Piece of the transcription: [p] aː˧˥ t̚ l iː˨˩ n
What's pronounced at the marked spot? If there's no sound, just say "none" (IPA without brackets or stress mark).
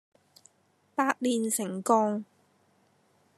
p